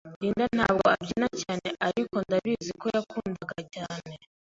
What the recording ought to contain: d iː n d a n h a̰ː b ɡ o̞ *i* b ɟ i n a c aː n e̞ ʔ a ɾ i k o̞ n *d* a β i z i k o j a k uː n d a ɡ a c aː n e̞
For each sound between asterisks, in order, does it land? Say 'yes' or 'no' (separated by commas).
no, yes